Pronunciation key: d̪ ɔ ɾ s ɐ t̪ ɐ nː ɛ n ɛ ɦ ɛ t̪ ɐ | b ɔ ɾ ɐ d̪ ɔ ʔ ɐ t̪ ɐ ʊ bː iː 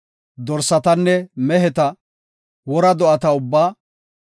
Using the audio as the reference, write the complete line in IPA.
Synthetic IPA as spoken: d̪ ɔ ɾ s ɐ t̪ ɐ nː ɛ m ɛ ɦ ɛ t̪ ɐ | w ɔ ɾ ɐ d̪ ɔ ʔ ɐ t̪ ɐ ʊ bː aː

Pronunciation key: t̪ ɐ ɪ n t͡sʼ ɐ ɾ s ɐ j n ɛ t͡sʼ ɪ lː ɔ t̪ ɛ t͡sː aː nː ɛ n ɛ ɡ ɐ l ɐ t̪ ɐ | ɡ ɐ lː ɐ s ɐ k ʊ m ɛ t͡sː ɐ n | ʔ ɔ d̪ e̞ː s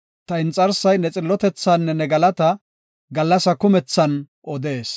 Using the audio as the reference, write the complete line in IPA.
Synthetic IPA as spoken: t̪ ɐ ɪ n t͡sʼ ɐ ɾ s ɐ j n ɛ t͡sʼ ɪ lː ɔ t̪ ɛ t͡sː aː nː ɛ n ɛ ɡ ɐ l ɐ t̪ ɐ | ɡ ɐ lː ɐ s ɐ k ʊ m ɛ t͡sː ɐ n | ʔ ɔ d̪ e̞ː s

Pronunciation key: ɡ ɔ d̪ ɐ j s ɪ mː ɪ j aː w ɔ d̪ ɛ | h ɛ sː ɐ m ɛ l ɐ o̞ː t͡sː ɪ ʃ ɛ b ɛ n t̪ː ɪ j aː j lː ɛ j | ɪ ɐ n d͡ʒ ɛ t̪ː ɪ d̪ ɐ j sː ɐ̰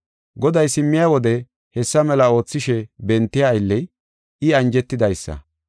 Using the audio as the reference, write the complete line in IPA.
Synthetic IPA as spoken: ɡ ɔ d̪ ɐ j s ɪ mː ɪ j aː w ɔ d̪ ɛ | h ɛ sː ɐ m ɛ l ɐ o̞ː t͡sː ɪ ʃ ɛ b ɛ n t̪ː ɪ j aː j lː ɛ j | ɪ ɐ n d͡ʒ ɛ t̪ː ɪ d̪ ɐ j sː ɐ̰

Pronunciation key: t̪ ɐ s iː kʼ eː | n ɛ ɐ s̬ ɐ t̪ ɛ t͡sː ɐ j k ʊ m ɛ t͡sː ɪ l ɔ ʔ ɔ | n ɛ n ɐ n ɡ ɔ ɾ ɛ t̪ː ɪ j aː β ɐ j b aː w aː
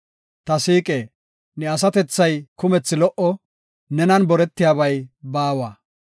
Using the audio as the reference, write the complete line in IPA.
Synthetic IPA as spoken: t̪ ɐ s iː kʼ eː | n ɛ ɐ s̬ ɐ t̪ ɛ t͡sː ɐ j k ʊ m ɛ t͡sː ɪ l ɔ ʔ ɔ | n ɛ n ɐ n b ɔ ɾ ɛ t̪ː ɪ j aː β ɐ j b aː w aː

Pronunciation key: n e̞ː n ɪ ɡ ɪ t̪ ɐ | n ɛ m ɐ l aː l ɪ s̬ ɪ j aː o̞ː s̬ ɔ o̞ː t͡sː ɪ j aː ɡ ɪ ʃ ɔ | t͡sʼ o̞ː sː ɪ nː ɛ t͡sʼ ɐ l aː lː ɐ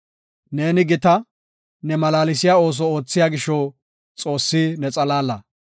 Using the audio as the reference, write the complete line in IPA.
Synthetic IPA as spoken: n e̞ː n ɪ ɡ ɪ t̪ ɐ | n ɛ m ɐ l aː l ɪ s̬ ɪ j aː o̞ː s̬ ɔ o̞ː t͡sː ɪ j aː ɡ ɪ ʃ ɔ | t͡sʼ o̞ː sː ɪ n ɛ t͡sʼ ɐ l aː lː ɐ

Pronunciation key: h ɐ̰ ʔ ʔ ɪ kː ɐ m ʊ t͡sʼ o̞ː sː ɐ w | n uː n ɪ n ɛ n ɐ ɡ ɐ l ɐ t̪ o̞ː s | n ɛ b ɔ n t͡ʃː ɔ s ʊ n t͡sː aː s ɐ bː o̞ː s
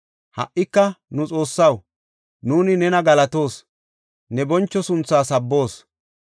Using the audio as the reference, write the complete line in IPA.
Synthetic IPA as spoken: h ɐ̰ ʔ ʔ ɪ kː ɐ n ʊ t͡sʼ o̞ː sː ɐ w | n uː n ɪ n ɛ n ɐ ɡ ɐ l ɐ t̪ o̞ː s | n ɛ b ɔ n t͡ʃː ɔ s ʊ n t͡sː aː s ɐ bː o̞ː s

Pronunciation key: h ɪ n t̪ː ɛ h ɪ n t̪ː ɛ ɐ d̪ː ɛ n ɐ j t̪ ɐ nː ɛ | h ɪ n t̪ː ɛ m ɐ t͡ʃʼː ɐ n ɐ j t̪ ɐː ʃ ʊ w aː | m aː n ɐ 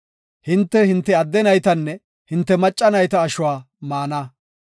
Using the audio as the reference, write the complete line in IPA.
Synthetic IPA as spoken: h ɪ n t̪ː ɛ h ɪ n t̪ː ɛ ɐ d̪ː ɛ n ɐ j t̪ ɐ nː ɛ | h ɪ n t̪ː ɛ m ɐ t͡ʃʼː ɐ n ɐ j t̪ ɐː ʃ ʊ w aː | m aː n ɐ

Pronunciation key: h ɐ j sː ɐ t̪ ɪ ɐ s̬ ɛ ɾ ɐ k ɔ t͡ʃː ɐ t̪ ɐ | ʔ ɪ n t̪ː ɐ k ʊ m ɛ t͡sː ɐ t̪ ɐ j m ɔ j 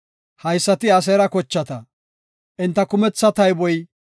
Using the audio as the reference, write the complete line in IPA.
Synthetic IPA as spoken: h ɐ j sː ɐ t̪ ɪ ɐ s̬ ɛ ɾ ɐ k ɔ t͡ʃː ɐ t̪ ɐ | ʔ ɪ n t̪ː ɐ k ʊ m ɛ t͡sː ɐ t̪ ɐ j b ɔ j

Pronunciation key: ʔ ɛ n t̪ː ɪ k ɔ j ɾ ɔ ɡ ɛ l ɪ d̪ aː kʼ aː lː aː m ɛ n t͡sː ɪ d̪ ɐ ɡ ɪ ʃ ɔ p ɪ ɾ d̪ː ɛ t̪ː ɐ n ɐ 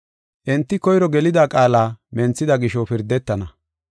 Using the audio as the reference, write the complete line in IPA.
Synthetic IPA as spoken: ʔ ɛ n t̪ː ɪ k ɔ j ɾ ɔ ɡ ɛ l ɪ d̪ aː kʼ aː l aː m ɛ n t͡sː ɪ d̪ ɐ ɡ ɪ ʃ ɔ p ɪ ɾ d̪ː ɛ t̪ː ɐ n ɐ

